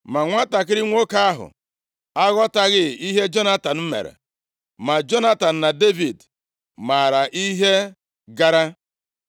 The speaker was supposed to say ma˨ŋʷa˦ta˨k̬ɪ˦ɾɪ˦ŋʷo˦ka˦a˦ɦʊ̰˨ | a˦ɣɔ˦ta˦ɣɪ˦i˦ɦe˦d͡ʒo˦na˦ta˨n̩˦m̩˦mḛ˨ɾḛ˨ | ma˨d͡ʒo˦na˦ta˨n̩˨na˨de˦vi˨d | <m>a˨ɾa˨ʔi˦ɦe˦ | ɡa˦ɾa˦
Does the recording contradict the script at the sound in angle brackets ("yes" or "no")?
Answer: no